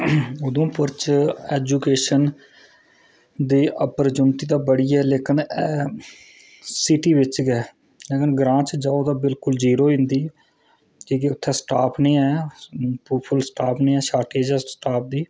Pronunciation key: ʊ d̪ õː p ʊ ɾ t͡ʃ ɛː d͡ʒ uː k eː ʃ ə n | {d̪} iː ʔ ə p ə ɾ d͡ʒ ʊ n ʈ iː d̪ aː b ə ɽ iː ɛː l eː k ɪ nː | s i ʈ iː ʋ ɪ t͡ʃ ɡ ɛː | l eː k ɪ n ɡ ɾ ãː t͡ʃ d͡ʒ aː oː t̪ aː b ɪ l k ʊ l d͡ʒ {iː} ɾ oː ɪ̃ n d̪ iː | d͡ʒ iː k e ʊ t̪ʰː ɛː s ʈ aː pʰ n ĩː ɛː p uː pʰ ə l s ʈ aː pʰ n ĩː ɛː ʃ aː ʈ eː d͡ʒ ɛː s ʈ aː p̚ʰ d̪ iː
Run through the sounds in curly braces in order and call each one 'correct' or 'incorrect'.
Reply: correct, correct

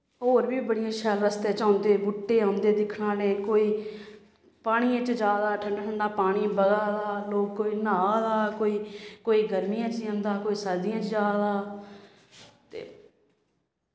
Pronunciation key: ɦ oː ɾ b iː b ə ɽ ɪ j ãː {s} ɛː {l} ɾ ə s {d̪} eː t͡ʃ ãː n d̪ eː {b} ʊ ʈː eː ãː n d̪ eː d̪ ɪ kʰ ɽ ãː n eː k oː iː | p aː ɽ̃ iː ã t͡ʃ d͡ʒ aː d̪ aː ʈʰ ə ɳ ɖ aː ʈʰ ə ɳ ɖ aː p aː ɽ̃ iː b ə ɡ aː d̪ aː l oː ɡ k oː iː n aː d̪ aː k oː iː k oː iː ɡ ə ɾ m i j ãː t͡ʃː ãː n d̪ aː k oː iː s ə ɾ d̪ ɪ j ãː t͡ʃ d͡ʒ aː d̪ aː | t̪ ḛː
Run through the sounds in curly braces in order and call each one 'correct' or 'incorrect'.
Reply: incorrect: ʃ, correct, incorrect: t̪, correct

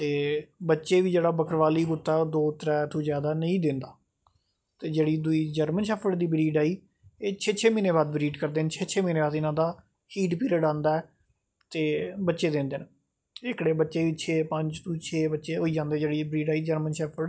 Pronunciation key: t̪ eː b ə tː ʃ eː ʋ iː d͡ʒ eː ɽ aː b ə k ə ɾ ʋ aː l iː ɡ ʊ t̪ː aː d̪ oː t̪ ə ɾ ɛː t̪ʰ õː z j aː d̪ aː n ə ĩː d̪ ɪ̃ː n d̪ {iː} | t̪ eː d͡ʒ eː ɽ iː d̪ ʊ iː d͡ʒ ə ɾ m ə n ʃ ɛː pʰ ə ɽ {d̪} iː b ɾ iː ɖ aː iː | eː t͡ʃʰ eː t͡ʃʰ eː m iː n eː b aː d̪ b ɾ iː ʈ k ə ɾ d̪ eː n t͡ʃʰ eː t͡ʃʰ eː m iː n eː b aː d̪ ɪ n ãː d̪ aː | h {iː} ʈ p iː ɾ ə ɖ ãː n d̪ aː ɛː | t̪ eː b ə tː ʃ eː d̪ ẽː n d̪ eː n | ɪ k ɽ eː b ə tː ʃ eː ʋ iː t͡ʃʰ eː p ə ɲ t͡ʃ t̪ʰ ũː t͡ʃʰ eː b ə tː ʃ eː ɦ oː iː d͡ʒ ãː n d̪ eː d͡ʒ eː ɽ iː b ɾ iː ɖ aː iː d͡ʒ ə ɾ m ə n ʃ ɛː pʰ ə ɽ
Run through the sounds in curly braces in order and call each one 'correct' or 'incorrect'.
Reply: incorrect: aː, correct, correct

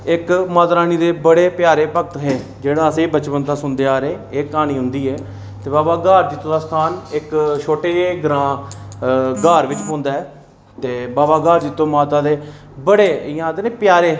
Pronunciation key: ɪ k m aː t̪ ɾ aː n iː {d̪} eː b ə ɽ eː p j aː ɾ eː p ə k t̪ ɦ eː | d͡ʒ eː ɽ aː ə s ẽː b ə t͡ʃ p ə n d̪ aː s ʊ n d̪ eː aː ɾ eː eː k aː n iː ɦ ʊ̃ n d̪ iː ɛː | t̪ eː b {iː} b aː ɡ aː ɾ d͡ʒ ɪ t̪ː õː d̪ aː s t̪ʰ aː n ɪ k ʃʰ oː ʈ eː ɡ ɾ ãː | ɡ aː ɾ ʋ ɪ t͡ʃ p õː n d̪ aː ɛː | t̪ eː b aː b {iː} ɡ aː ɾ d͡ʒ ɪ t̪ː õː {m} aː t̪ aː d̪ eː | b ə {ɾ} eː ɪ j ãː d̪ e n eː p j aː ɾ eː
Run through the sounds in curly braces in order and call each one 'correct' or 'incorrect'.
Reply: correct, incorrect: aː, incorrect: aː, correct, incorrect: ɽ

